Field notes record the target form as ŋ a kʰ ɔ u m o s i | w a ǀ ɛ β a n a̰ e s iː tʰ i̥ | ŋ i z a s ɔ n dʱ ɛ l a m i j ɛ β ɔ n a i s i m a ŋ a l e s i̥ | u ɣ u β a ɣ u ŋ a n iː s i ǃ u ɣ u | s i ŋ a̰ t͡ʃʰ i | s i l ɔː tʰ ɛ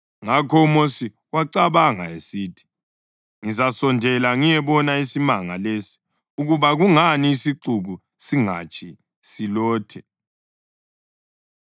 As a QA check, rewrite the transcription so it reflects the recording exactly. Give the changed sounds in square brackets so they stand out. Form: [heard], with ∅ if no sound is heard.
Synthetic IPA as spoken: ŋ a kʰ ɔ u m o s i | w a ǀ [a] β a [ŋ] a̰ e s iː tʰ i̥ | ŋ i z a s ɔ n dʱ ɛ l a [ŋ] i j ɛ β ɔ n a i s i m a ŋ a l e s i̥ | u ɣ u β a ɣ u ŋ a n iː s i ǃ u ɣ u | s i ŋ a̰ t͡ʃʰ i | s i l ɔː tʰ ɛ